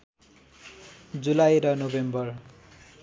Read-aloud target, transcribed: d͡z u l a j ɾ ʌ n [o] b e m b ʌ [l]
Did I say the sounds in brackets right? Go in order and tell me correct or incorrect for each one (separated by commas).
correct, incorrect